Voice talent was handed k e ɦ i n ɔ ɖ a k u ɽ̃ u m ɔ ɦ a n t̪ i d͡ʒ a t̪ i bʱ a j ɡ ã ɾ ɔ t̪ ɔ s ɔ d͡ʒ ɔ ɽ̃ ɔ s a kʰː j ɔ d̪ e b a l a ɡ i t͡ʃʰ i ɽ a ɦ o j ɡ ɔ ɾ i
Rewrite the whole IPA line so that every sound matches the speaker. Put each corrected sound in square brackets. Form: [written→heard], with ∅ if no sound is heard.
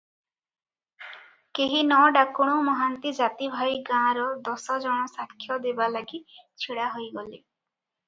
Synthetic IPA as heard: k e ɦ i n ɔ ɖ a k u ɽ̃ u m ɔ ɦ a n t̪ i d͡ʒ a t̪ i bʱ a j ɡ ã ɾ ɔ [t̪→d̪] ɔ s ɔ d͡ʒ ɔ ɽ̃ ɔ s a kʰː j ɔ d̪ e b a l a ɡ i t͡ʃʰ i ɽ a ɦ o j ɡ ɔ [ɾ→l] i